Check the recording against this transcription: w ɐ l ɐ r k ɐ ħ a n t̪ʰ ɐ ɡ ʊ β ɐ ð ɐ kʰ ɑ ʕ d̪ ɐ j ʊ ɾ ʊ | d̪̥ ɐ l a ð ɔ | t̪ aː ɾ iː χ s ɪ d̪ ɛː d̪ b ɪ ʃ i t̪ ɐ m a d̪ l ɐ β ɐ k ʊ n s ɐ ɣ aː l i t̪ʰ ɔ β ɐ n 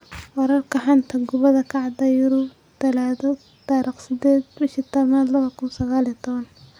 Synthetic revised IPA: w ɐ ɾ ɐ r k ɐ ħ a n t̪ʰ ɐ ɡ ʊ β ɐ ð ɐ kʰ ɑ ʕ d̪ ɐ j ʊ ɾ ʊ | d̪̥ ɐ l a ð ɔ | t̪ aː ɾ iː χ s ɪ d̪ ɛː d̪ b ɪ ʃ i t̪ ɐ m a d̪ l ɐ β ɐ k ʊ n s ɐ ɣ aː l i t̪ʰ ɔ β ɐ n